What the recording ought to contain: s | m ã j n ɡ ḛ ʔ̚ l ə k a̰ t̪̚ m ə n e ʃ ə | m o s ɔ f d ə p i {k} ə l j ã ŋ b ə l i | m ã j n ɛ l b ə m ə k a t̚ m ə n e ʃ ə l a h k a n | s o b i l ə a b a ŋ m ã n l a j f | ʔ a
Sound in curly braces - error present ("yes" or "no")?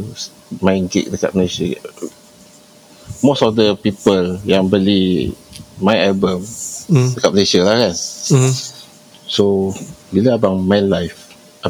yes